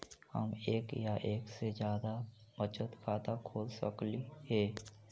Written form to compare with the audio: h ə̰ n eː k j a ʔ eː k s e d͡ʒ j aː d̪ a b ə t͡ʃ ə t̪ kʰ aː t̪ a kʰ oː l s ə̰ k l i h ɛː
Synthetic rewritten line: h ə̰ m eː k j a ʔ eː k s e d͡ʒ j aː d̪ a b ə t͡ʃ ə t̪ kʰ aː t̪ a kʰ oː l s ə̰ k l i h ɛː